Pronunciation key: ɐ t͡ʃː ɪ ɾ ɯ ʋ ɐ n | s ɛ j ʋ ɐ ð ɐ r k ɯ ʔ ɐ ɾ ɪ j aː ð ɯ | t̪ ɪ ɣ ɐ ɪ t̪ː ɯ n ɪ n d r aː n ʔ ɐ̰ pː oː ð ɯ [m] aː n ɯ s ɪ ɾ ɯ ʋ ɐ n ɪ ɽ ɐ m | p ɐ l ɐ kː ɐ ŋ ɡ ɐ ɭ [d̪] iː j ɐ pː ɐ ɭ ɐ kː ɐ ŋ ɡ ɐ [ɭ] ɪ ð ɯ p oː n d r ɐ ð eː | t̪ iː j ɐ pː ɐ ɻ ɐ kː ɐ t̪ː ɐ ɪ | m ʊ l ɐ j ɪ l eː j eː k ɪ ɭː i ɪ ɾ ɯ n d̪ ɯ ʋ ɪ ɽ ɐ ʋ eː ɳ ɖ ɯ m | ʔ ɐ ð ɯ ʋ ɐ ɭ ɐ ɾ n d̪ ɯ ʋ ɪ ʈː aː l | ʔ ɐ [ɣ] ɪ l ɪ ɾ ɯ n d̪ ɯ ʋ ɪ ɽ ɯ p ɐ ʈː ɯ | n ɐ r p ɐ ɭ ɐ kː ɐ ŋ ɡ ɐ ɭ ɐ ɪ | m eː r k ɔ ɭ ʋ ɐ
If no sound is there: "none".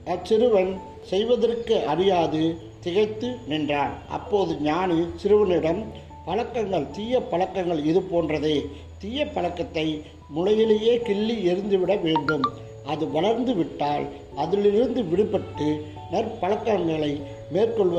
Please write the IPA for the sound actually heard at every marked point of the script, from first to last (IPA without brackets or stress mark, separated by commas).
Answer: ɲ, t̪, ɭ, ð